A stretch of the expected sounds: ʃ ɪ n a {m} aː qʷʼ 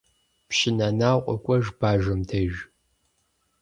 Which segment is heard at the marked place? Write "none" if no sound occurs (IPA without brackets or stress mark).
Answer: n